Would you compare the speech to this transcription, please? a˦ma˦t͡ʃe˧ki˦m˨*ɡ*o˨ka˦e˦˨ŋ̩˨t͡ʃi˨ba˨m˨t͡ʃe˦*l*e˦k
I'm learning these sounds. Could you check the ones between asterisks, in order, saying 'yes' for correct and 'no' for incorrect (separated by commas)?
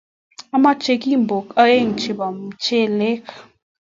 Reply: no, yes